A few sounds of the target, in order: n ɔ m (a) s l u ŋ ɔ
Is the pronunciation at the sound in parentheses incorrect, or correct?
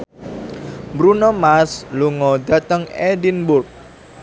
correct